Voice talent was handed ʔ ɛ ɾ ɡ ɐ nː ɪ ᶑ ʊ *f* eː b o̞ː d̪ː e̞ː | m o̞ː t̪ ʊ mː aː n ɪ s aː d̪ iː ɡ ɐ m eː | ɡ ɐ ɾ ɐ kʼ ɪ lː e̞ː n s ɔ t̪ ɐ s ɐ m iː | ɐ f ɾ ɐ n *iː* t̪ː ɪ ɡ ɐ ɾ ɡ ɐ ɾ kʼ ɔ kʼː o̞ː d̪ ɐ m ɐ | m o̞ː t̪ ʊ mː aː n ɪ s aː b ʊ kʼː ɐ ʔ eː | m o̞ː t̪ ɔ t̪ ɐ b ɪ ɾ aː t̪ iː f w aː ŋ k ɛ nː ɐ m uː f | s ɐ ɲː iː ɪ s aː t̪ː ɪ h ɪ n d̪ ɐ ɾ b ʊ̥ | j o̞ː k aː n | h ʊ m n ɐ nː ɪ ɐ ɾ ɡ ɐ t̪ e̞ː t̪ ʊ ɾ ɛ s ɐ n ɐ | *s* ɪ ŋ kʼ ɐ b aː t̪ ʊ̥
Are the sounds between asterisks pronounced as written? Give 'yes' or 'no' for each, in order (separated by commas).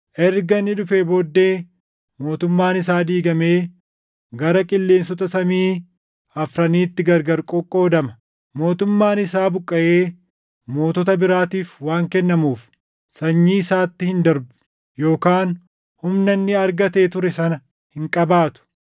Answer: yes, yes, no